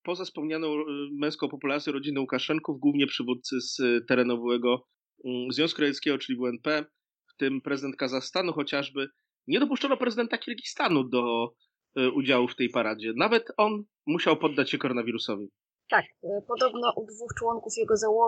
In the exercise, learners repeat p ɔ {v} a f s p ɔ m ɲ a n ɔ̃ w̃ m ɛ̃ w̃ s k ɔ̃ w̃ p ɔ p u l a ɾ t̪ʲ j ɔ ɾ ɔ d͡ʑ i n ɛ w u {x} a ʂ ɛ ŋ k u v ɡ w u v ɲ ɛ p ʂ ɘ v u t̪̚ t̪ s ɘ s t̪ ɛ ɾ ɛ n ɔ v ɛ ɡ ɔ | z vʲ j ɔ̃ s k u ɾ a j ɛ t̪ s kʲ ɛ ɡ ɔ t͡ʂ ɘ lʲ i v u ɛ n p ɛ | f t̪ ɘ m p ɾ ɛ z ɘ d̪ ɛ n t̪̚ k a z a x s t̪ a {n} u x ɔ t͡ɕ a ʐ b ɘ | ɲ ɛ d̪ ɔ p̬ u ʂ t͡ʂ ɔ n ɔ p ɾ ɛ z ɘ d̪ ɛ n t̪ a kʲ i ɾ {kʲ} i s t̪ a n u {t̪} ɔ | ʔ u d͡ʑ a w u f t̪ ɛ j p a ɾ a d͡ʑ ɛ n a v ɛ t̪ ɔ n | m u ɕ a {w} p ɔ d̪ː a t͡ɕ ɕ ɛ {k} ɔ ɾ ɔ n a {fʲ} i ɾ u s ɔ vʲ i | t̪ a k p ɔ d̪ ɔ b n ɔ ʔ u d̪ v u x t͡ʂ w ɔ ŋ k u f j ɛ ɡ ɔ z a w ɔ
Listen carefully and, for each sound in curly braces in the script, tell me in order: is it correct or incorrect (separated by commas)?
incorrect, incorrect, correct, incorrect, incorrect, correct, correct, incorrect